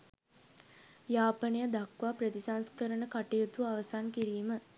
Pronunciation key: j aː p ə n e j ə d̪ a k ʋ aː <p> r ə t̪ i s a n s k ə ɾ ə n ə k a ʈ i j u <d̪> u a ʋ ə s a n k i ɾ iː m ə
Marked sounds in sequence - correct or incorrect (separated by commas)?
correct, incorrect